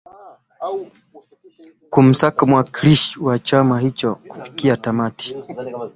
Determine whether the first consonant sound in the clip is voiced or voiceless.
voiceless